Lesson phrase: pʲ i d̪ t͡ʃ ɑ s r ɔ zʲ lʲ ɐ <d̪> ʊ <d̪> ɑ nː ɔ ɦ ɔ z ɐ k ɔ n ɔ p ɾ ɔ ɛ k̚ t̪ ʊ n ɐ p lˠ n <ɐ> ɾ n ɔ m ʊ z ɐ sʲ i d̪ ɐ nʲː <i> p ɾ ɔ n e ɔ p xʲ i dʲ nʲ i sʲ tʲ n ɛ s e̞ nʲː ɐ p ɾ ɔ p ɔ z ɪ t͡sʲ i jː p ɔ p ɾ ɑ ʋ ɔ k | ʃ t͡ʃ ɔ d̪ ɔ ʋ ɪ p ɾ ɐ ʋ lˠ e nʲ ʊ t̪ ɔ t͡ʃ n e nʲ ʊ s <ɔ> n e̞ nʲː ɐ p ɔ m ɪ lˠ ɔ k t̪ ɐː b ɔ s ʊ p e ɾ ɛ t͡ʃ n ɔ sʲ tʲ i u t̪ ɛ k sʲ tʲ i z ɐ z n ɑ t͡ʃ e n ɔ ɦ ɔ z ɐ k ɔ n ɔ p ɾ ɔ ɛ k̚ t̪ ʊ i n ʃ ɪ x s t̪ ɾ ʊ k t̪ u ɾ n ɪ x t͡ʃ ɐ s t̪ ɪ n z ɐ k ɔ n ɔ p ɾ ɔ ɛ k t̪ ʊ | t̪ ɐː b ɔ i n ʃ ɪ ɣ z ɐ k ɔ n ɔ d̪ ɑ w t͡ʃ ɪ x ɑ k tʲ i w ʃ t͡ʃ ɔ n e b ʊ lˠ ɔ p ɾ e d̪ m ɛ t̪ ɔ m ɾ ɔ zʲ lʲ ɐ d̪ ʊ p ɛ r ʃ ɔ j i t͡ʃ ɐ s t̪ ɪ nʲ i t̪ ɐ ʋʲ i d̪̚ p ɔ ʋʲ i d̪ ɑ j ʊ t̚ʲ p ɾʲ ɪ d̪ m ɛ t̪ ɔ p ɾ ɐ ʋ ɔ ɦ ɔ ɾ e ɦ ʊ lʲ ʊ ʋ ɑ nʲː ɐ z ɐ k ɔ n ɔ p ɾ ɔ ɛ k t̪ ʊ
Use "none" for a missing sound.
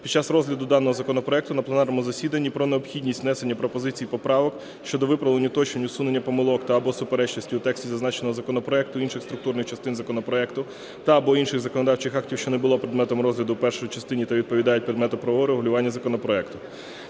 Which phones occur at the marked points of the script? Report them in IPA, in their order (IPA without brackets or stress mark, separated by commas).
d̪, d̪, ɑ, i, u